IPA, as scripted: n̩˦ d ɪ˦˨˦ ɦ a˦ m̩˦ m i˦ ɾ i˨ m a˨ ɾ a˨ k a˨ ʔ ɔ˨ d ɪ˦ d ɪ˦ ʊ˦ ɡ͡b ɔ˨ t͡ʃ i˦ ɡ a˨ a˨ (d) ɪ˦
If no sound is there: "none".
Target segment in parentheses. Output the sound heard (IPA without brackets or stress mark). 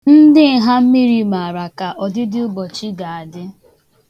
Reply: d